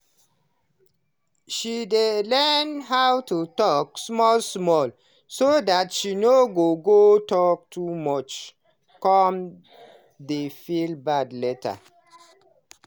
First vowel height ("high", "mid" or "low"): high